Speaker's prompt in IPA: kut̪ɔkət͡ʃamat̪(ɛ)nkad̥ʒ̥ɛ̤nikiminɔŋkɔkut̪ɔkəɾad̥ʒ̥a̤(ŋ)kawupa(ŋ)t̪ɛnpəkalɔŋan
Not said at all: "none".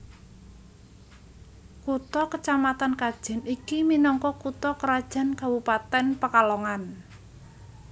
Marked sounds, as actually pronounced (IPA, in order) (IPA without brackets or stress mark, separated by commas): a, n, none